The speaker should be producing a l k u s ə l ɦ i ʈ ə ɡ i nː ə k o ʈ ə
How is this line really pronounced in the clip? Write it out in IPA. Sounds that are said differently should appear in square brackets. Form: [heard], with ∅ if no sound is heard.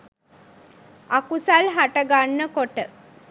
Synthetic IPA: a [∅] k u s [a] l ɦ [a] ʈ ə ɡ [a] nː ə k o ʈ ə